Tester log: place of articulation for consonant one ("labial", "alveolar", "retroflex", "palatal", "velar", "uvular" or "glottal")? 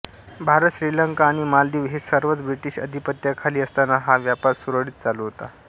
labial